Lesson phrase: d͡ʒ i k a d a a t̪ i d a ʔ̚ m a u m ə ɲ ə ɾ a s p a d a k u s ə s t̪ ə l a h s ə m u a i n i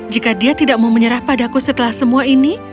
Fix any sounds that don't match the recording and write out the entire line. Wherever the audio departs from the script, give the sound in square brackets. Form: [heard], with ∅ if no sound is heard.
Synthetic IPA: d͡ʒ i k a d [i] a t̪ i d a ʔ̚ m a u m ə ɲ ə ɾ a [h] p a d a k u s ə [∅] t̪ ə l a h s ə m u a i n i